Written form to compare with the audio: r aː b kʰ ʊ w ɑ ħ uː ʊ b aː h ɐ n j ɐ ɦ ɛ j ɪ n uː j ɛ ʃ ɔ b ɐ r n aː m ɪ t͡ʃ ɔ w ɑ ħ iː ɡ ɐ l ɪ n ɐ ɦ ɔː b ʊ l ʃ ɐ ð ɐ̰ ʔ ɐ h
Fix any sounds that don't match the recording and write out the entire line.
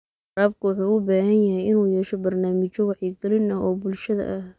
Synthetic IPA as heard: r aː b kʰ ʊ w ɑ ħ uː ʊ b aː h ɐ n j ɐ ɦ ɛ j ɪ n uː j ɛː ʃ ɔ b ɐ r n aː m ɪ t͡ʃ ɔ w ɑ ħ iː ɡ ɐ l ɪ n ɐ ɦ ɔː b ʊ l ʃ ɐ ð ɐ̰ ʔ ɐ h